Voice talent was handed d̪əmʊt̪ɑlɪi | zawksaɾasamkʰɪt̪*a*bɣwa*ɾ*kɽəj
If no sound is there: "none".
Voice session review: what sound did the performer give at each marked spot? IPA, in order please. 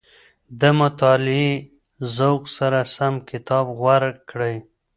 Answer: ɑ, ɾ

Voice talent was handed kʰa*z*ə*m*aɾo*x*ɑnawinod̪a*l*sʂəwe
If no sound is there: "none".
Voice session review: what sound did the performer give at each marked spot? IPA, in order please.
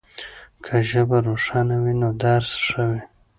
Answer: ʒ, b, ʂ, ɾ

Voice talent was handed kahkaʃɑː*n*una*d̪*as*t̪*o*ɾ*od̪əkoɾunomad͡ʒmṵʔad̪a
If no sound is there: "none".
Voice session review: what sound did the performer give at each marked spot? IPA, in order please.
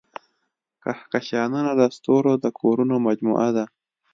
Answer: n, d̪, t̪, ɾ

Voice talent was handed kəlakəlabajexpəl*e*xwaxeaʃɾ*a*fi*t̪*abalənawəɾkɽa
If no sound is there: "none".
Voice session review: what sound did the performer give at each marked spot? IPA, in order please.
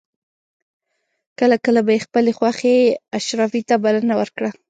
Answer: e, ɑ, t̪

